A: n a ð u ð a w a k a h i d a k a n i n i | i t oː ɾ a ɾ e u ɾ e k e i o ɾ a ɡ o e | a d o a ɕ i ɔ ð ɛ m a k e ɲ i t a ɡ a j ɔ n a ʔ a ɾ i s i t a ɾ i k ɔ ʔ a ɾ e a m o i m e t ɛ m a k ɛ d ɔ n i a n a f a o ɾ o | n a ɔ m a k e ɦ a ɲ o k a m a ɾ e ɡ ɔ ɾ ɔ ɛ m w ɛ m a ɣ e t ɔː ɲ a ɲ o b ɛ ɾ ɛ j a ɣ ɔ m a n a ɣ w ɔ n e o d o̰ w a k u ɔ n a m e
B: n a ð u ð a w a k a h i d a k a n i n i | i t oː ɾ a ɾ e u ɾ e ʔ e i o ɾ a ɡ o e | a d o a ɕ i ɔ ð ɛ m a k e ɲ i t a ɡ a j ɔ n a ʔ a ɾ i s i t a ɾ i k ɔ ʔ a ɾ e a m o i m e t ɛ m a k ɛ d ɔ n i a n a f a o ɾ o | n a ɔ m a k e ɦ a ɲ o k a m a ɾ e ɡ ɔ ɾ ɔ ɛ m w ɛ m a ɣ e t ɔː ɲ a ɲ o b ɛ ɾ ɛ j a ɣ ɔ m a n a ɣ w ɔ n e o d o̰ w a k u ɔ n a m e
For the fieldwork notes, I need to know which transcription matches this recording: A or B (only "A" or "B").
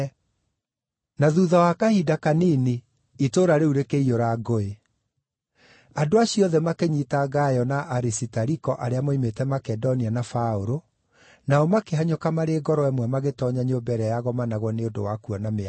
A